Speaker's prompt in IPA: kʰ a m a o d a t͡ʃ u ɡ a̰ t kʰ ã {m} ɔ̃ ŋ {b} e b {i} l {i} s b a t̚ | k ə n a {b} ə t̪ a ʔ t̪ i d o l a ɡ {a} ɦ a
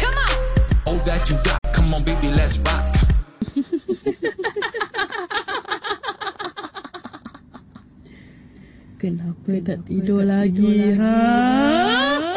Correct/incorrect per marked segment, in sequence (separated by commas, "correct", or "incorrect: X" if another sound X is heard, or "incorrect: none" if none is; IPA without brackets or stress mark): correct, correct, correct, incorrect: ɛ, incorrect: p, incorrect: i